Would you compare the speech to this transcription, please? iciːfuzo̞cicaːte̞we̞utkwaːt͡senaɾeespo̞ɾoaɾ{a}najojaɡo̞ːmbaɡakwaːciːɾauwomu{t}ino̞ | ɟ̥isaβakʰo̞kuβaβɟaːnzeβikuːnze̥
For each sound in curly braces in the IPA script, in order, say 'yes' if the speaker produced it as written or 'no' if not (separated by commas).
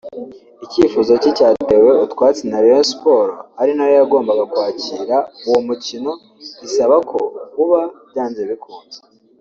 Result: no, no